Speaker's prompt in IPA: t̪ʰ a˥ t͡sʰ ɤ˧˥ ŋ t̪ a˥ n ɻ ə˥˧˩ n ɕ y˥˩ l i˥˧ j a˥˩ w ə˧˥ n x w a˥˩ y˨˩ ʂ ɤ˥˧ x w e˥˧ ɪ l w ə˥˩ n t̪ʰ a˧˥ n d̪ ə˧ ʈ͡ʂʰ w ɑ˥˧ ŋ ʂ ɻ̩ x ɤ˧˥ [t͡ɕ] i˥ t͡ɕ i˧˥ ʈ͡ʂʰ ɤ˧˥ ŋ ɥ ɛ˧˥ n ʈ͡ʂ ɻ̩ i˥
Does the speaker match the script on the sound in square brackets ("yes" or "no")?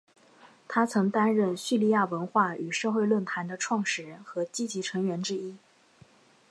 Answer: yes